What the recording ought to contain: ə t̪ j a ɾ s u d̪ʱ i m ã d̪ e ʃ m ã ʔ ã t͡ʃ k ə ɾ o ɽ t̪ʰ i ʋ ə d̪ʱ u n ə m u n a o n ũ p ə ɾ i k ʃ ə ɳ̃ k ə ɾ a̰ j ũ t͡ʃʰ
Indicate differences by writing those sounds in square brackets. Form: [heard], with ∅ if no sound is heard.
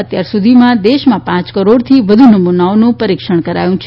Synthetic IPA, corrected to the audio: ə t̪ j a ɾ s u d̪ʱ i m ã d̪ e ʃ m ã [p] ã t͡ʃ k ə ɾ o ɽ t̪ʰ i ʋ ə d̪ʱ u n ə m u n a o n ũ p ə ɾ i k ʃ ə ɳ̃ k ə ɾ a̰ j ũ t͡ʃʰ